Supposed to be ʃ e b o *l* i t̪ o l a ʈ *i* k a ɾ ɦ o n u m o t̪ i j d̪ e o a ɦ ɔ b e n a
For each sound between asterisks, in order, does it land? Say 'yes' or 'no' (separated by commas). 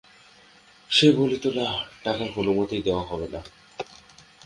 yes, no